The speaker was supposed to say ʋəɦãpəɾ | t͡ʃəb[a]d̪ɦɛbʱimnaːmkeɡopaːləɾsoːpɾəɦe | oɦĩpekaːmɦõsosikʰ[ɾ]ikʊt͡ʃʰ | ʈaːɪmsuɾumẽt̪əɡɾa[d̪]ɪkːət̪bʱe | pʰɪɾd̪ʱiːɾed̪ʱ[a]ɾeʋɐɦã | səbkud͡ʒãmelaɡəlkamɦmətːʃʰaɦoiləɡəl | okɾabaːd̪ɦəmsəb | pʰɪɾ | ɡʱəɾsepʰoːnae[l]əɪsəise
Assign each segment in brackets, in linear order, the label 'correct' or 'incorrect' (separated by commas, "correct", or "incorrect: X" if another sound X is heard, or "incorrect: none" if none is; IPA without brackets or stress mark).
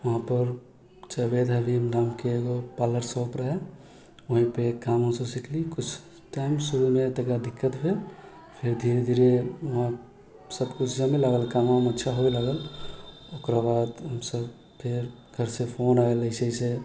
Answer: incorrect: e, incorrect: l, correct, incorrect: i, correct